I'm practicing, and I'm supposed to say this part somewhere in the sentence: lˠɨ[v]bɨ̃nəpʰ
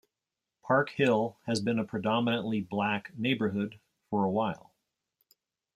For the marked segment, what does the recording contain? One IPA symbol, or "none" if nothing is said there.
z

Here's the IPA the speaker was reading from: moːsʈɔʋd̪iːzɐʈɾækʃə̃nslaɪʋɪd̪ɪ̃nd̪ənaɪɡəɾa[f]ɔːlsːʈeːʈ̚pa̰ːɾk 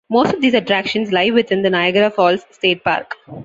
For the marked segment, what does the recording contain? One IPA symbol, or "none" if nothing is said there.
f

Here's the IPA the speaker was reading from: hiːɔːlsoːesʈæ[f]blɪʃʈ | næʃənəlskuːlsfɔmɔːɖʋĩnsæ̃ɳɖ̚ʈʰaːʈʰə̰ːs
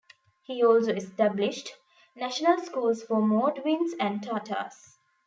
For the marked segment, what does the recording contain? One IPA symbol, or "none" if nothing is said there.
none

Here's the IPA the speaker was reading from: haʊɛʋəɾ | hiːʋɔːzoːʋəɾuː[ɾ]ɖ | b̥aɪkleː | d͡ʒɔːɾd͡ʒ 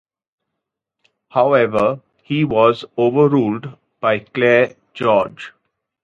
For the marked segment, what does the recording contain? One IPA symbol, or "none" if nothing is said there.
l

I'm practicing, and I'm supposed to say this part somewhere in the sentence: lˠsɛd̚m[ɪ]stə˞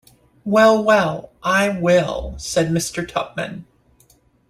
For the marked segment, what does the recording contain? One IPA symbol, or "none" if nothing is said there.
ɪ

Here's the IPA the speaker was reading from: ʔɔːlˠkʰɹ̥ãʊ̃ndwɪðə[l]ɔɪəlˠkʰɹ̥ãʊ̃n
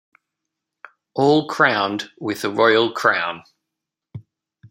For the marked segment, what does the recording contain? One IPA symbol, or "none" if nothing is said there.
ɹ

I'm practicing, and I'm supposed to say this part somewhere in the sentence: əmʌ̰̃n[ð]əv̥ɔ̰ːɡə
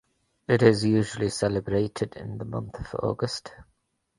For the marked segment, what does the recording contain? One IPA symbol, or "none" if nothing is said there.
θ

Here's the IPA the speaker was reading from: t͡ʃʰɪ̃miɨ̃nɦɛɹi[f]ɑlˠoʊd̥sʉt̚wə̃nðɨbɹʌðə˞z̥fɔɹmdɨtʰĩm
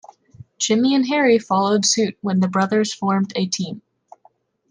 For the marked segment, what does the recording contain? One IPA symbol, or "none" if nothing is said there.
f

